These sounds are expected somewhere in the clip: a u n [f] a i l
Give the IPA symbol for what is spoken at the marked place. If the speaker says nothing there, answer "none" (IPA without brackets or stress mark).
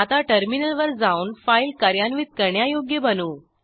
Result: f